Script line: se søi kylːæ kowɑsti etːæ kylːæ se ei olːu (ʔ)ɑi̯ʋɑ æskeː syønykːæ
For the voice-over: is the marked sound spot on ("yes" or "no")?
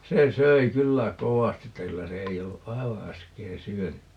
yes